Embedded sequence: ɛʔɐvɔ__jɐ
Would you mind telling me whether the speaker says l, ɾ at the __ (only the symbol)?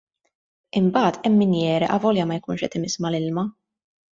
l